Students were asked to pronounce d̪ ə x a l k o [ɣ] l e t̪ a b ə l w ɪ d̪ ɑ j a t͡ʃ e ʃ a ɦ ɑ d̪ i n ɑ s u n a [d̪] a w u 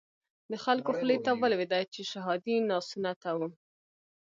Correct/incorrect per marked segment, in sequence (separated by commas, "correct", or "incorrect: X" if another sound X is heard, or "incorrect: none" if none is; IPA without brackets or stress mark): incorrect: x, incorrect: t̪